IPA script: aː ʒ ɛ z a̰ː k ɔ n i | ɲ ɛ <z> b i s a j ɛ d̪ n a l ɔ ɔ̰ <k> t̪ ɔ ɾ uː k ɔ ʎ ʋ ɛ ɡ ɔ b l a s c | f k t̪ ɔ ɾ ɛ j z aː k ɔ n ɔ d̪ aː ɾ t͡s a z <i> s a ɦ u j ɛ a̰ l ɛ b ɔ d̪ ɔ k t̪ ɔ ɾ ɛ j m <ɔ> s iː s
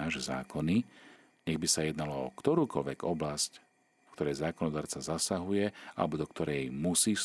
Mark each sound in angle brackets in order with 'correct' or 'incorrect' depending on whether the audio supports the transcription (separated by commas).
incorrect, correct, incorrect, incorrect